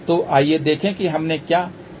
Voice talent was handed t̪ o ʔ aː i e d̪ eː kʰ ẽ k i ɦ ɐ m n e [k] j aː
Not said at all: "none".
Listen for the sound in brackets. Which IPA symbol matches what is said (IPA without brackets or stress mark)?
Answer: k